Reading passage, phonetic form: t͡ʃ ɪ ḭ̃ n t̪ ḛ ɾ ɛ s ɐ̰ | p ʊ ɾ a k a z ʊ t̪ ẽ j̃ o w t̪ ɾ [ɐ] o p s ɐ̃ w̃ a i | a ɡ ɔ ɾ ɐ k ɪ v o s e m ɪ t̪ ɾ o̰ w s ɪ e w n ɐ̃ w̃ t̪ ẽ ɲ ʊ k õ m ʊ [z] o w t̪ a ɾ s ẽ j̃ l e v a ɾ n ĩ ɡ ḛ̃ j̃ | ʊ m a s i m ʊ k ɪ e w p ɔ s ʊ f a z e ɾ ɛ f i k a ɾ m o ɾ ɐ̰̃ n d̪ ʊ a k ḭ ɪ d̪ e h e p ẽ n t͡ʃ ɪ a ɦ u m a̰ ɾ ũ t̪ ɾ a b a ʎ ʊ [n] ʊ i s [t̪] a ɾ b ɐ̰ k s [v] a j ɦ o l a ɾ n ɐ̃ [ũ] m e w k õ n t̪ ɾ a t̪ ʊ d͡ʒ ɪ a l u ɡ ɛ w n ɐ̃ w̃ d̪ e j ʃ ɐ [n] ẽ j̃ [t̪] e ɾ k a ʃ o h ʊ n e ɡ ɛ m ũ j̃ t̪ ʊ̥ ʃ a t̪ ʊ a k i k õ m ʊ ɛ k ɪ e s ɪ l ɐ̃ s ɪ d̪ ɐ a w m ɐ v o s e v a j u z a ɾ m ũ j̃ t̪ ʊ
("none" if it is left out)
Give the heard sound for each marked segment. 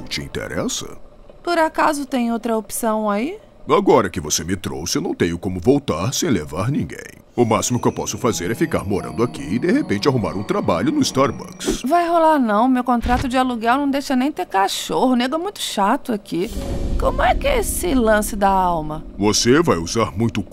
ɐ, v, n, t̪, v, w̃, n, t̪

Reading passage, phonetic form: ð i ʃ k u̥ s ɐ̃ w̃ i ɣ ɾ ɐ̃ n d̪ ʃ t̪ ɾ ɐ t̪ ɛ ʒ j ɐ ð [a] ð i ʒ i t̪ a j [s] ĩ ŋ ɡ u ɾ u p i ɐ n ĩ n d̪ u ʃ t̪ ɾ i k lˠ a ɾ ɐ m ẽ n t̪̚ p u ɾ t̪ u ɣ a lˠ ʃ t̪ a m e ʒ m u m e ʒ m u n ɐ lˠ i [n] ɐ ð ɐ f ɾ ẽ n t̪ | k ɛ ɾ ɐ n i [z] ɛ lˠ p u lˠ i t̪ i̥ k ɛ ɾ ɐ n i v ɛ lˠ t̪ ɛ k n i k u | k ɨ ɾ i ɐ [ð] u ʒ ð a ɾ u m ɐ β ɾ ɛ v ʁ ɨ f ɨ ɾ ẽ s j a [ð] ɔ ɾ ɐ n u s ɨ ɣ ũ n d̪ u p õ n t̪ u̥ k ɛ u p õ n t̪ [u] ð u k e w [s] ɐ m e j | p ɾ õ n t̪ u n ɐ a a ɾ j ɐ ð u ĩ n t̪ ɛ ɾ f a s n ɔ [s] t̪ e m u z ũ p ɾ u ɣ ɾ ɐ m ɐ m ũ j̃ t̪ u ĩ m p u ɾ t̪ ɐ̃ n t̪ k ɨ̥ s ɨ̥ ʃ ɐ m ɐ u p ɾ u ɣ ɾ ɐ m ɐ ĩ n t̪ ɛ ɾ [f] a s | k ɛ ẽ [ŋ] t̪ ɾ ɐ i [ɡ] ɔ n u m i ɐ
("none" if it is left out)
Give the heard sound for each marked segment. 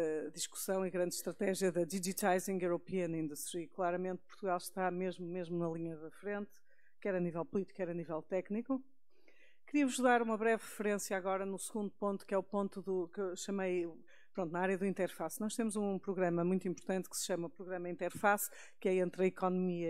ɐ, z, ɲ, v, v, ɣ, u, ʃ, ʃ, f, n, k

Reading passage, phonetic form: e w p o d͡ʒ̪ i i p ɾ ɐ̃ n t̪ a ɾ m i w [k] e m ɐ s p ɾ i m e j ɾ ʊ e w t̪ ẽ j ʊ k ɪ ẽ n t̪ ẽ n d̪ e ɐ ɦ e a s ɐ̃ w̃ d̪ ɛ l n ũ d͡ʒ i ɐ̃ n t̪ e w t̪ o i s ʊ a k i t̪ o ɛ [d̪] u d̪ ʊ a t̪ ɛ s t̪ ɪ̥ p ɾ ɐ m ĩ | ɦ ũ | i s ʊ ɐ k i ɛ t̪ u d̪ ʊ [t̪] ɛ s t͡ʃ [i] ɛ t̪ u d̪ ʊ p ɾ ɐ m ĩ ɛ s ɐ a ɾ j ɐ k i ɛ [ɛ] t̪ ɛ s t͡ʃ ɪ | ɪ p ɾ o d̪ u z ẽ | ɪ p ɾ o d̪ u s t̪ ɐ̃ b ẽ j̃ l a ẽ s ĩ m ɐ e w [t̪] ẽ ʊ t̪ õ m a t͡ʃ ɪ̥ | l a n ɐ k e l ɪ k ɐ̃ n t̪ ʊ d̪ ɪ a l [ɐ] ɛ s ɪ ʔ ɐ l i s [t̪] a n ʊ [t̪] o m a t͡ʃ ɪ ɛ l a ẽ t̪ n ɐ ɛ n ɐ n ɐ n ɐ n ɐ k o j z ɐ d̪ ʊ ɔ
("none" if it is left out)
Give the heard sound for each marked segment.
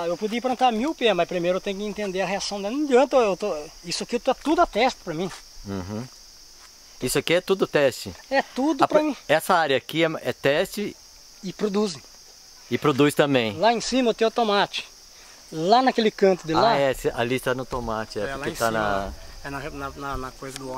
p, t̪, t̪, ɪ, ɛ, t̪, a, t̪, t̪

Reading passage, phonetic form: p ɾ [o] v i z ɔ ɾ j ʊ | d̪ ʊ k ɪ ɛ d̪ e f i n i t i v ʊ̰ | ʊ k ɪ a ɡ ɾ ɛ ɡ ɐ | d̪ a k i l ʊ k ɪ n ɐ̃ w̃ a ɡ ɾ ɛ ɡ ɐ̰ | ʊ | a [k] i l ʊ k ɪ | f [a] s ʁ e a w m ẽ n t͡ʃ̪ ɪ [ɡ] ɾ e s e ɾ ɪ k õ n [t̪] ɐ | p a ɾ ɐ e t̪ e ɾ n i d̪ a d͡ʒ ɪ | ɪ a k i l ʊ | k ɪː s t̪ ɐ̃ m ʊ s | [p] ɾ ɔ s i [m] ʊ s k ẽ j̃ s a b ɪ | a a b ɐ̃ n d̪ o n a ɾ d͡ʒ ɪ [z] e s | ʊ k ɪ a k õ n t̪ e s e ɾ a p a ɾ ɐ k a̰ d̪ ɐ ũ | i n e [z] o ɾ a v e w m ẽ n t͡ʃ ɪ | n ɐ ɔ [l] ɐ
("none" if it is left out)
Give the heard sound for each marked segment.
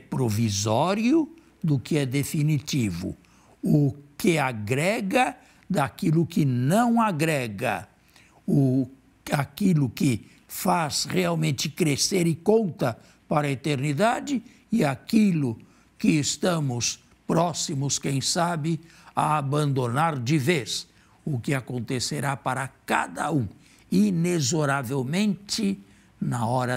o, k, a, k, t̪, p, m, v, z, ɾ

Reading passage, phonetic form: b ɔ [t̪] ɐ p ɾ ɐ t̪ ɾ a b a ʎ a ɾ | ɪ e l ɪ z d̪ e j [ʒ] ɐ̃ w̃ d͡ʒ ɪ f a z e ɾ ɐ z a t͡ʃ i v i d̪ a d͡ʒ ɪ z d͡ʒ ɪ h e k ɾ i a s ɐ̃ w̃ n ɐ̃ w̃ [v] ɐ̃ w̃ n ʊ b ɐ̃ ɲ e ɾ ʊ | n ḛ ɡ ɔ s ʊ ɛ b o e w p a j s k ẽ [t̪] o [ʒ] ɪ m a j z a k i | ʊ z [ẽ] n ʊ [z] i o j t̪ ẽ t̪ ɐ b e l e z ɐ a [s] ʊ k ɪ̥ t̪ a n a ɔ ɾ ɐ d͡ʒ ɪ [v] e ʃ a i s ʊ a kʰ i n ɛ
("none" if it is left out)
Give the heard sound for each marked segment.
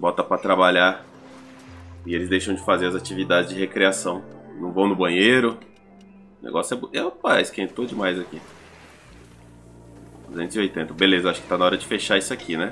t̪, ʃ, v, t̪, d͡ʒ, ẽ, z, ʃ, f

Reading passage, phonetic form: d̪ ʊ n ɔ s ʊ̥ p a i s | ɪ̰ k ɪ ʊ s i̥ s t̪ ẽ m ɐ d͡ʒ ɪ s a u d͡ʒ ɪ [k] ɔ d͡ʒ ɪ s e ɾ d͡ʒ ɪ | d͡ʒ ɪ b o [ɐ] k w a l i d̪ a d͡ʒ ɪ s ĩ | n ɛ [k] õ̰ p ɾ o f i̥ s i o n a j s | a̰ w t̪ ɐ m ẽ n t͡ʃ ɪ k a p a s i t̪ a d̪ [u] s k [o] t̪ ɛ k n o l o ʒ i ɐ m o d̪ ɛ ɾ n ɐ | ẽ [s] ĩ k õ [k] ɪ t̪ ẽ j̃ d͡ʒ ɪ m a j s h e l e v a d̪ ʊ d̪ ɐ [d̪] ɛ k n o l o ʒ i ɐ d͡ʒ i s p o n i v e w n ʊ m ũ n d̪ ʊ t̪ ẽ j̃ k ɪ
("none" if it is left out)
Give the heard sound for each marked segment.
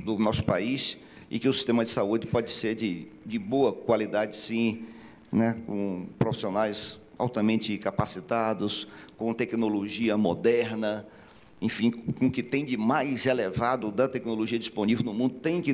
p, ɐ, k, ʊ, õ, f, k, t̪

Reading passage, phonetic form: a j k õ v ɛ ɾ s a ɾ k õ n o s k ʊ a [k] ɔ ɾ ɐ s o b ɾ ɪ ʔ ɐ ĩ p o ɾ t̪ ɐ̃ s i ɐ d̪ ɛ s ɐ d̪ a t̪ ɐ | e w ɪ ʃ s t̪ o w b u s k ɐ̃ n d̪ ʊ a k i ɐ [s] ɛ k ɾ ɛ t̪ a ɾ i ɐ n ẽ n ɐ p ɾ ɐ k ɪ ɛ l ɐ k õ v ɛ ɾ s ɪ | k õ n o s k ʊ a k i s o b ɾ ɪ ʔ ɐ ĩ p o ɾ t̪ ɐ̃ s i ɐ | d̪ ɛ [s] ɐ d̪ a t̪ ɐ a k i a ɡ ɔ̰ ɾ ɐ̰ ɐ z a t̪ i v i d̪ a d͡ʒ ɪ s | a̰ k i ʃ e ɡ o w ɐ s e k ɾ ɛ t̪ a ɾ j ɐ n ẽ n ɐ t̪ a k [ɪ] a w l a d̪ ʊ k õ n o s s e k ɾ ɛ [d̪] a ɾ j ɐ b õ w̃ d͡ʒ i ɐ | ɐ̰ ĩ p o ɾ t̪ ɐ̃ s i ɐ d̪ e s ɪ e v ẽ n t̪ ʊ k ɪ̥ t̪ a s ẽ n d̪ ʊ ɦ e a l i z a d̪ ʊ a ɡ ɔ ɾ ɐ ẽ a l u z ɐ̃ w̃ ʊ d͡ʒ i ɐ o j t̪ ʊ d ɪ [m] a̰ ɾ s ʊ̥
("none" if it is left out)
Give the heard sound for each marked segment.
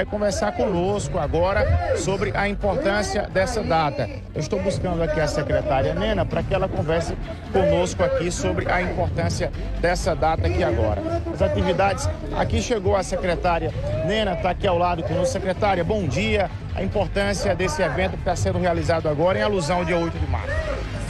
ɡ, s, s, i, t̪, m

